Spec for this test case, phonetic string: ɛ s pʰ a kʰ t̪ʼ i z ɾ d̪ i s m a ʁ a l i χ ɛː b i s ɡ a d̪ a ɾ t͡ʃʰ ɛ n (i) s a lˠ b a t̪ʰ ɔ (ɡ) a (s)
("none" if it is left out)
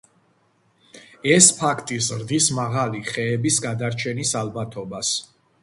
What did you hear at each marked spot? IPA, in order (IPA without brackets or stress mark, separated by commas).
i, b, s